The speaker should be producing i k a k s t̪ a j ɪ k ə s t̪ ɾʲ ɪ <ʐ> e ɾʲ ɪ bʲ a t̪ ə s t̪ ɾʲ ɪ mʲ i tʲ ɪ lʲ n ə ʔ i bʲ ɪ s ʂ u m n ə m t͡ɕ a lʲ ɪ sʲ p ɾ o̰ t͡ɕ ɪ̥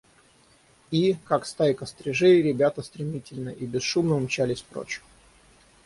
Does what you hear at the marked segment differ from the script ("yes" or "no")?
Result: no